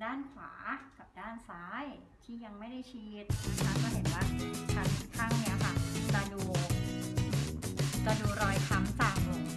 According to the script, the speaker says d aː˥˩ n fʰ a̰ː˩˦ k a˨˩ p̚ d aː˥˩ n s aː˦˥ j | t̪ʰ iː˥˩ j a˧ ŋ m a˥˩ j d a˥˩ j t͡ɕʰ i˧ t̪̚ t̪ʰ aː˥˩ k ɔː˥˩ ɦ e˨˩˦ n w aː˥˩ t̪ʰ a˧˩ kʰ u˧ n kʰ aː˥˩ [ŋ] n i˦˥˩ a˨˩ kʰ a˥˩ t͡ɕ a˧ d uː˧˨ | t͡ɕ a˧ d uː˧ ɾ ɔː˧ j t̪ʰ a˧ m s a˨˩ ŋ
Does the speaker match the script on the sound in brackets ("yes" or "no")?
yes